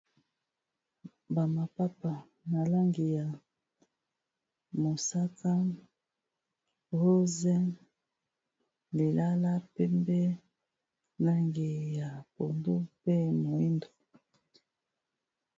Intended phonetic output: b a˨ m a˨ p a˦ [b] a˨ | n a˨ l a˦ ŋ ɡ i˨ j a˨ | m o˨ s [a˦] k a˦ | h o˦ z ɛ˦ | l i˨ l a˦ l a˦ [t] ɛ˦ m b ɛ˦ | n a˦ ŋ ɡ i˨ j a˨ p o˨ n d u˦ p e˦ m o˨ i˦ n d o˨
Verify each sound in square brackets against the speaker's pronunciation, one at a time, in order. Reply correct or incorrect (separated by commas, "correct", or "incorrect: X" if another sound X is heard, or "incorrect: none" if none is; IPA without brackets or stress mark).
incorrect: p, correct, incorrect: p